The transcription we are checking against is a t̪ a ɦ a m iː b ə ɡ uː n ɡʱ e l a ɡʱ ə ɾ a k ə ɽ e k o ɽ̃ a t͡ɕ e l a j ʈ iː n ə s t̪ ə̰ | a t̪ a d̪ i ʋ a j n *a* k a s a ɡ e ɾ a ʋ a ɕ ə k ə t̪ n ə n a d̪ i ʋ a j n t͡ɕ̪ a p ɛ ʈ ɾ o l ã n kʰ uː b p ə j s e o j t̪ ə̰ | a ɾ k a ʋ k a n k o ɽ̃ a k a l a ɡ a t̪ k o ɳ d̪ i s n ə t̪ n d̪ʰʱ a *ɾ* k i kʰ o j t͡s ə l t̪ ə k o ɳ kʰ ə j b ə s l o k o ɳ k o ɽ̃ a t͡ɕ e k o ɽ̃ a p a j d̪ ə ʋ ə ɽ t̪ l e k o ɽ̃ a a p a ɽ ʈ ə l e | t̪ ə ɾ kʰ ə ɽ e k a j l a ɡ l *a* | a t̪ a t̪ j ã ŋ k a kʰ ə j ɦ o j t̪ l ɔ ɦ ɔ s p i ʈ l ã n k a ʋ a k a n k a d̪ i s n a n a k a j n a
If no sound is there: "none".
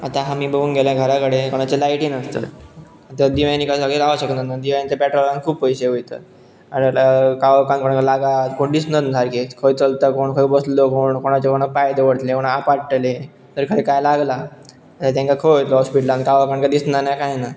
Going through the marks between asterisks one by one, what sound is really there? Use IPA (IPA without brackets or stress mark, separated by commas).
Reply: i, ɾ, a